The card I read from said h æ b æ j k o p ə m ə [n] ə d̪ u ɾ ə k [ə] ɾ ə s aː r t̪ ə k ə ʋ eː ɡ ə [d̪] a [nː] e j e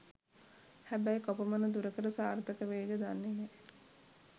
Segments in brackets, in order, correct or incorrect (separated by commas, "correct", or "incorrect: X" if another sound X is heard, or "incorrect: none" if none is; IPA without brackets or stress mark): correct, correct, correct, correct